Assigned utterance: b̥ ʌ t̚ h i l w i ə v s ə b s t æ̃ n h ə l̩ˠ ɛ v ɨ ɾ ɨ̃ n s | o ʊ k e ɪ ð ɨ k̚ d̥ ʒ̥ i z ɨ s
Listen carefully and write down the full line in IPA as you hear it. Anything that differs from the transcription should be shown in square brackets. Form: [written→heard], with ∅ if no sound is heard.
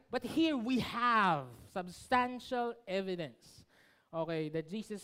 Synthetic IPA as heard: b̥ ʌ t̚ h i [l→ɹ] w i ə v s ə b s t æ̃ n [h→ʃ] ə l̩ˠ ɛ v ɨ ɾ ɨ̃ n s | o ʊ k e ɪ ð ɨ [k̚→t̚] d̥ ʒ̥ i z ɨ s